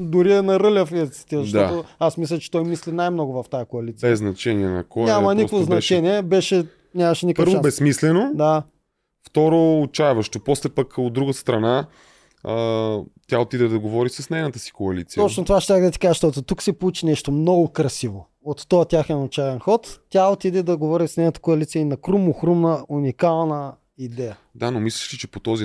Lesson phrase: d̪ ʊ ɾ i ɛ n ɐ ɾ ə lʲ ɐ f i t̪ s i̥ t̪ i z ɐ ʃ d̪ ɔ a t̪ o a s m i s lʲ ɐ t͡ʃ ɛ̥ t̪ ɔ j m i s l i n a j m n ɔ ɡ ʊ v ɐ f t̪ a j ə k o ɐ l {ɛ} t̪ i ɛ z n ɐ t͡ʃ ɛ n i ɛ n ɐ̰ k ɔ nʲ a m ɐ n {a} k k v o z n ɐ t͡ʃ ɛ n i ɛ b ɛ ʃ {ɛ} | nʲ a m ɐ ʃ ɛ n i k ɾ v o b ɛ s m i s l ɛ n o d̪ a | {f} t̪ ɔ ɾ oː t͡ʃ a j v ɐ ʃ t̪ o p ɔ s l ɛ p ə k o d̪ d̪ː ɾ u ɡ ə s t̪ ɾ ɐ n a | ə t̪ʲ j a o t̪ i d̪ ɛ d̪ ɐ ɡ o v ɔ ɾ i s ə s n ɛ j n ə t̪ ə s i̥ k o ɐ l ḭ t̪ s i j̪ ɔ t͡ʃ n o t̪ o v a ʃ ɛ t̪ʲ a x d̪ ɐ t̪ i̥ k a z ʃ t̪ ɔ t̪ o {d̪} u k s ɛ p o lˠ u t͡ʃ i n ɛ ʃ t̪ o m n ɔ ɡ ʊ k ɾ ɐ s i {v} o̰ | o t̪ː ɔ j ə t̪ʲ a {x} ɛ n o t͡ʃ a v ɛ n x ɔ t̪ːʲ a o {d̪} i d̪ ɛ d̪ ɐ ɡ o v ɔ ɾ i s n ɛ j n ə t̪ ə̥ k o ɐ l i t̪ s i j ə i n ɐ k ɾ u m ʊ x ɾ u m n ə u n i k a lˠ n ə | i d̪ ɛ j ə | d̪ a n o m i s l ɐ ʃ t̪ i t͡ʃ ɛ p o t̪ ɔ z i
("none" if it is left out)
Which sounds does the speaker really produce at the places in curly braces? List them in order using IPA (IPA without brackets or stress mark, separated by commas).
i, i, ɛ, f, t̪, v, x, t̪